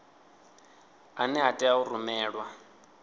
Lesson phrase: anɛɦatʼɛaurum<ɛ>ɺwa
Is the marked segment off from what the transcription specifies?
yes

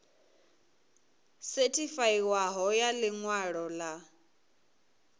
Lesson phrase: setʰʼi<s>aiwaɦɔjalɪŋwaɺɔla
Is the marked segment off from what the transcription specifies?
yes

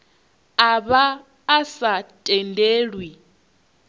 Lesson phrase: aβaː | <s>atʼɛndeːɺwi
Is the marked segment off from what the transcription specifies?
no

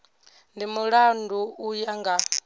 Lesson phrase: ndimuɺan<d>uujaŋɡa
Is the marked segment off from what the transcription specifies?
no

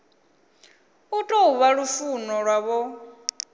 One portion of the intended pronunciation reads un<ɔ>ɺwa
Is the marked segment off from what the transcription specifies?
no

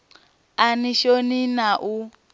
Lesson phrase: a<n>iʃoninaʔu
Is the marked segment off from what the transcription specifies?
no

